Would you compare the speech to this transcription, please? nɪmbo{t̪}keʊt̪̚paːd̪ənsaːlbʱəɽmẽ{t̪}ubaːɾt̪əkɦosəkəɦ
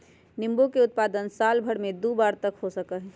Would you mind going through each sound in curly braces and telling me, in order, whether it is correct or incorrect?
incorrect: none, incorrect: d̪

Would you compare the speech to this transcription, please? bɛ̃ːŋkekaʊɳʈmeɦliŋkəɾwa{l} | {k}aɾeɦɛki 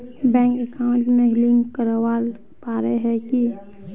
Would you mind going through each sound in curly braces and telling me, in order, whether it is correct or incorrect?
correct, incorrect: p

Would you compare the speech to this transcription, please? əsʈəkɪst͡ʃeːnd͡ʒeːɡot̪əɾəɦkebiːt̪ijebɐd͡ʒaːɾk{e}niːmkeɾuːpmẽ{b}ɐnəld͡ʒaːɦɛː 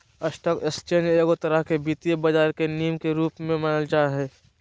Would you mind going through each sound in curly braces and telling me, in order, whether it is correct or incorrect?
correct, incorrect: m

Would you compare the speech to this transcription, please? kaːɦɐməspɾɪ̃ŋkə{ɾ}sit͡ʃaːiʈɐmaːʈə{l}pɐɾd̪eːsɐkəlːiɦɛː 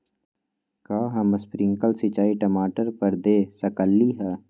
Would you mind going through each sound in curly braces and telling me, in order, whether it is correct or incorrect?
incorrect: l, incorrect: ɾ

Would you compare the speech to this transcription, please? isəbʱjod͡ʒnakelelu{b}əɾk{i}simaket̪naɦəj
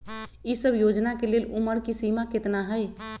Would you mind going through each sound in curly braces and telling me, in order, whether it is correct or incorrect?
incorrect: m, correct

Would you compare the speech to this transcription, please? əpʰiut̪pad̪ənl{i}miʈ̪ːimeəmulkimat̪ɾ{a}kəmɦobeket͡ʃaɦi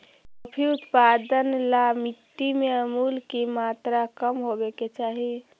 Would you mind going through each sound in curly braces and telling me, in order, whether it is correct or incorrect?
incorrect: a, correct

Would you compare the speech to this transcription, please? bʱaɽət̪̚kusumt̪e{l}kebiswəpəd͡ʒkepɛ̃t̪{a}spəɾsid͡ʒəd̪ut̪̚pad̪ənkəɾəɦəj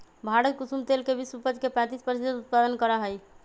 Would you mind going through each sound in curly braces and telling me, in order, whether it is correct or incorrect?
correct, incorrect: i

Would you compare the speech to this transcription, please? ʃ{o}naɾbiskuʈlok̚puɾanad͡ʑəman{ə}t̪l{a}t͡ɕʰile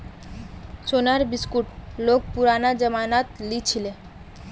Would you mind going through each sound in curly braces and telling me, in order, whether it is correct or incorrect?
correct, incorrect: a, incorrect: i

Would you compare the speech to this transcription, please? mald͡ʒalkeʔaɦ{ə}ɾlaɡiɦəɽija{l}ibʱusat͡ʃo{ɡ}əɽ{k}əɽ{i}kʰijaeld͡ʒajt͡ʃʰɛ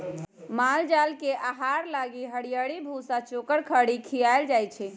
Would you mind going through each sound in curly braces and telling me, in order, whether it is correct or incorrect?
incorrect: a, incorrect: ɽ, incorrect: k, incorrect: kʰ, correct

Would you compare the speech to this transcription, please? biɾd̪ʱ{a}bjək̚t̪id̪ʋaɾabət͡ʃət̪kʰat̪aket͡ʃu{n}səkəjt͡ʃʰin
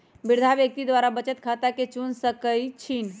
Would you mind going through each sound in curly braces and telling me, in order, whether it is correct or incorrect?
correct, correct

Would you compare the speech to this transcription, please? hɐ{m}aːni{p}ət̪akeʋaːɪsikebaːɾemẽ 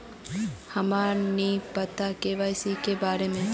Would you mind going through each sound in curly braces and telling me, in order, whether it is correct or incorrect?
correct, correct

